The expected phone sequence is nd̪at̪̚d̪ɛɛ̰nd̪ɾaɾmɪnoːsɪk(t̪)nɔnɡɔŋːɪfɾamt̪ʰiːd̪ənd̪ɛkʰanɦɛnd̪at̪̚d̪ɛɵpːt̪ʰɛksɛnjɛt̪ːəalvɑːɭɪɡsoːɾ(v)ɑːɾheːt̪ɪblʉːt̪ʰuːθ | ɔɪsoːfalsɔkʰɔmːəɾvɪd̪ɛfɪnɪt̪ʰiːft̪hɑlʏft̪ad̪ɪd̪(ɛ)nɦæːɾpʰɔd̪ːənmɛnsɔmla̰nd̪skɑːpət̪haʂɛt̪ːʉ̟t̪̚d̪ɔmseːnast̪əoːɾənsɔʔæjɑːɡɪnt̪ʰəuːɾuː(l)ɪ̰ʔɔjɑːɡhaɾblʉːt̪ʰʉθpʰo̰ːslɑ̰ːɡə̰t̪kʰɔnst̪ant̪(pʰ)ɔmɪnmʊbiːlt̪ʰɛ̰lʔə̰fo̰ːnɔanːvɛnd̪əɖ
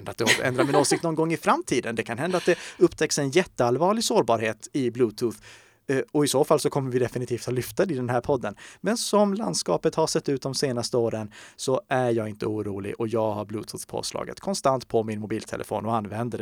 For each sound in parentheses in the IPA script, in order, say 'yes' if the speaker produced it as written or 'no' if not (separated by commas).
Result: yes, no, yes, yes, yes